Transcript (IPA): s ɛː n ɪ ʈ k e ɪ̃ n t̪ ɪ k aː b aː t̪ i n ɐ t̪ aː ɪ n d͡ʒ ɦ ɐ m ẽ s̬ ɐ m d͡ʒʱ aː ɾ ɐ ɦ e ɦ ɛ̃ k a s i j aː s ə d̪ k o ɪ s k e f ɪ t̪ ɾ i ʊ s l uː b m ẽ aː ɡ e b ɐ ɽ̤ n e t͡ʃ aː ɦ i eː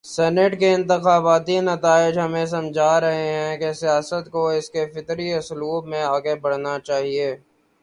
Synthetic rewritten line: s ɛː n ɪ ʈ k e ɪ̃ n t̪ ɪ x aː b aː t̪ i n ɐ t̪ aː ɪ d͡ʒ ɦ ɐ m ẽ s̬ ɐ m d͡ʒʱ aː ɾ ɐ ɦ e ɦ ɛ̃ k e s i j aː s ə t̪ k o ɪ s k e f ɪ t̪ ɾ i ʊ s l uː b m ẽ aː ɡ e b ɐ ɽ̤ n a t͡ʃ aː ɦ i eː